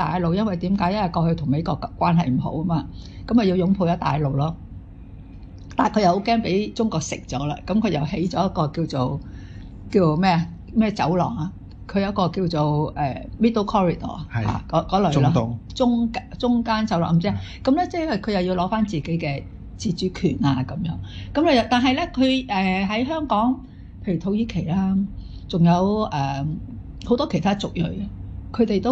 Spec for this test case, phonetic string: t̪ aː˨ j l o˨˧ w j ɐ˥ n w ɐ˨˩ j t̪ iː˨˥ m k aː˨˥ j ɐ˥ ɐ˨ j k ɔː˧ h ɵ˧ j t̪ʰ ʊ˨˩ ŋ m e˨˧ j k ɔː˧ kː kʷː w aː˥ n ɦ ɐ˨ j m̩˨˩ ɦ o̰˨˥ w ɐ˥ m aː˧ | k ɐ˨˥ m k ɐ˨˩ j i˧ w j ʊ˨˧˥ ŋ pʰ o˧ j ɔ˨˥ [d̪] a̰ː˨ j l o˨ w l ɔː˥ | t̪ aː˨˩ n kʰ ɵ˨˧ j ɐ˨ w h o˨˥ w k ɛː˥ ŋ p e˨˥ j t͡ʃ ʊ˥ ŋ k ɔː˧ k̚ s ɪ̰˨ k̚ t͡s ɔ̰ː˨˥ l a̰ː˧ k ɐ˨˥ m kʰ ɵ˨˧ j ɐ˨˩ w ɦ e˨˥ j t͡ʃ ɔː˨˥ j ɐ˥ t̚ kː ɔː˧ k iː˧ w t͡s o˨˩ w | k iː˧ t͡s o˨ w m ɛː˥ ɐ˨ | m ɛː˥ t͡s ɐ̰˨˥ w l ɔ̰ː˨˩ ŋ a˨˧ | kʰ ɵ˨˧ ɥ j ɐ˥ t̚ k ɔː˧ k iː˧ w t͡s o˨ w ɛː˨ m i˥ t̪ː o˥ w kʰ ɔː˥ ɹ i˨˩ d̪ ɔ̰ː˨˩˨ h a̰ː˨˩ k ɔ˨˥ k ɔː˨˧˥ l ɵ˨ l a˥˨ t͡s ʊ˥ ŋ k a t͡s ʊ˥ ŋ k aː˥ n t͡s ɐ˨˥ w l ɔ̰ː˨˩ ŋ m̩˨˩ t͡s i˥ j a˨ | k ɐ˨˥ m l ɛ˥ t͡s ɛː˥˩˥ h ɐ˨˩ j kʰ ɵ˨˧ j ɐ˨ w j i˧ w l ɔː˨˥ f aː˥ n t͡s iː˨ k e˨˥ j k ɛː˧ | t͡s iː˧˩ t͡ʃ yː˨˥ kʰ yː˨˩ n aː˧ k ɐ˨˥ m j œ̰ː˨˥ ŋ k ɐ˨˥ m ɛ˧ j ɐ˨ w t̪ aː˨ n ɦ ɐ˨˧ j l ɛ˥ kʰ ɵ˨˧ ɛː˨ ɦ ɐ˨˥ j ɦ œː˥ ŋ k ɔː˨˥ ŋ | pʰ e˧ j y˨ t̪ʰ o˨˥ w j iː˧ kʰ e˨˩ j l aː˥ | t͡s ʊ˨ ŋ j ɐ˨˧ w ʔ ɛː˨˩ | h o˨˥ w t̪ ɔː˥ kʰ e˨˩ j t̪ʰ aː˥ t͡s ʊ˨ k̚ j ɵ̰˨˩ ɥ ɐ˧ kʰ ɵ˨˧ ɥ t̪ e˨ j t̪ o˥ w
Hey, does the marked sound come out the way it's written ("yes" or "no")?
no